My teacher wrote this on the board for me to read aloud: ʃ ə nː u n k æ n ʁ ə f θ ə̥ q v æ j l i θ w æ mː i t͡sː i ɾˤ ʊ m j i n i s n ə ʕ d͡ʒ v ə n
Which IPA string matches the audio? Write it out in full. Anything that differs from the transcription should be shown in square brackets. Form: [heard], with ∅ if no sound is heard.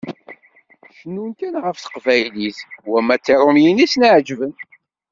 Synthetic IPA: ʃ ə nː u n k æ n ʁ ə f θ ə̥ q v æ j l i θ w æ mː [æ] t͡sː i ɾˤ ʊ m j i n i s n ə ʕ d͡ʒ v ə n

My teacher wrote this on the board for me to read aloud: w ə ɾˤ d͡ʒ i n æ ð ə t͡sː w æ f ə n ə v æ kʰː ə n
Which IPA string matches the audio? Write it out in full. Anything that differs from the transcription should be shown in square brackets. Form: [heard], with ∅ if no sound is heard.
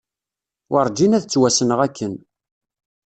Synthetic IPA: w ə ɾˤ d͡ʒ i n æ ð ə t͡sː w æ [s] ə n ə [ʁ] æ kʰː ə n

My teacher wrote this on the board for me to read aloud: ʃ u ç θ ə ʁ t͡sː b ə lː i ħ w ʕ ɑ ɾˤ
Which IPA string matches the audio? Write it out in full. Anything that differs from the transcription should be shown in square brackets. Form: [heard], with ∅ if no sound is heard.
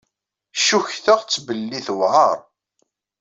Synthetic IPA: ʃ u ç θ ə ʁ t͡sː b ə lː i [θ] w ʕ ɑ ɾˤ

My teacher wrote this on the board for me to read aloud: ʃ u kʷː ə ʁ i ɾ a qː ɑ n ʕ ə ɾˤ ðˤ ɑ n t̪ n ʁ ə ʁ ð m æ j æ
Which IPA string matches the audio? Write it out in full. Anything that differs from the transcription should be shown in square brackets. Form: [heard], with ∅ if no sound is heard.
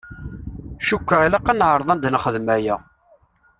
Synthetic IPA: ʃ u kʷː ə ʁ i [l] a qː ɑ n ʕ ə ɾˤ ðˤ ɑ n [d̪] n [χ] ə [∅] ð m æ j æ

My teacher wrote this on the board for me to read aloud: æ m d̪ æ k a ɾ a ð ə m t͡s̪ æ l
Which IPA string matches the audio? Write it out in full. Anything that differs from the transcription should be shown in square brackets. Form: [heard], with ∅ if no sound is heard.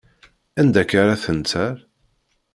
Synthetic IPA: æ [n] d̪ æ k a ɾ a [θ] ə [n] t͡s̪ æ [ɾ]

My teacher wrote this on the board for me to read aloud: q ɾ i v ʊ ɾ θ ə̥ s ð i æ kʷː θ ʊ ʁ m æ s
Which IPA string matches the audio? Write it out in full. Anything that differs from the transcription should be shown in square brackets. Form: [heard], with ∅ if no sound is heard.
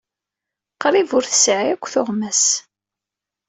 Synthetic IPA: q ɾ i v ʊ ɾ θ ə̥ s [ʕ] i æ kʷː θ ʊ ʁ m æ s

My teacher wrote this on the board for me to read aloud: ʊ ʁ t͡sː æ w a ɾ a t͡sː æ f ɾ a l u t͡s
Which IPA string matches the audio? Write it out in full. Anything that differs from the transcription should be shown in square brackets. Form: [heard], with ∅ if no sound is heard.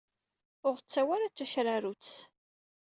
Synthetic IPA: ʊ ʁ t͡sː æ w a ɾ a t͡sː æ [ʃ] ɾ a [ɾ] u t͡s

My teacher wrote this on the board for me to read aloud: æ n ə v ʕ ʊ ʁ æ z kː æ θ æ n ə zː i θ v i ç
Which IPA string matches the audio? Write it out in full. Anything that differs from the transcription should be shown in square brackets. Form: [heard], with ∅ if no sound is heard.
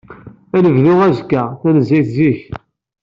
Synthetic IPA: æ n ə v [ð] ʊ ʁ æ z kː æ θ æ n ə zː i θ [z] i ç

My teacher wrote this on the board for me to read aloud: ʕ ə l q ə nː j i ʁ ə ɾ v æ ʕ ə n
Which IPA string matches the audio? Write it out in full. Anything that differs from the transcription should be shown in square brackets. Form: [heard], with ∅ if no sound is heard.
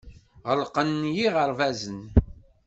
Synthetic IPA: [ʁ] ə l q ə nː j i ʁ ə ɾ v æ [z] ə n

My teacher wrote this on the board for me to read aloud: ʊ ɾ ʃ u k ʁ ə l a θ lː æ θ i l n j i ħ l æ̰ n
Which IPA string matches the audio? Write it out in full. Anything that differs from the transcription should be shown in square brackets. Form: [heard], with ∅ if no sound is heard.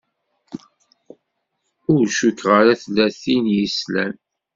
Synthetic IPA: ʊ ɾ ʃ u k ʁ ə [ɾ] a θ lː æ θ i [∅] n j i [s] l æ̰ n

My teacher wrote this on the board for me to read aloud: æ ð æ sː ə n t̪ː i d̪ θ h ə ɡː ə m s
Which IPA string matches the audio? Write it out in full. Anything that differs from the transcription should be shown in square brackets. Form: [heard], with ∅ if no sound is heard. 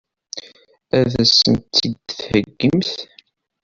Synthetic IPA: æ ð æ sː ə n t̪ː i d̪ θ h ə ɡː ə m [θ]

